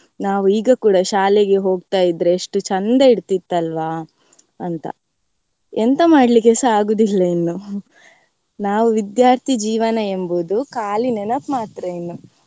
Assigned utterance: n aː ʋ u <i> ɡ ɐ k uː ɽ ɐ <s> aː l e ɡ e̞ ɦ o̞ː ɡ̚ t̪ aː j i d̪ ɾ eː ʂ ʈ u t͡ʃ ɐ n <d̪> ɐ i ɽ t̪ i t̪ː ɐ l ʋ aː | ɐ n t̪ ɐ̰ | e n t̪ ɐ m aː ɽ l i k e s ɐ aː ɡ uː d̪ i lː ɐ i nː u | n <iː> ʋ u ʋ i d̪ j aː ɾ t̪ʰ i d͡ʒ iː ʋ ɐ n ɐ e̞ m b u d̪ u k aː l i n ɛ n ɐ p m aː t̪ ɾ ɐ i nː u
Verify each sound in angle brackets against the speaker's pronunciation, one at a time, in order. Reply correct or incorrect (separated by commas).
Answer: incorrect, incorrect, correct, incorrect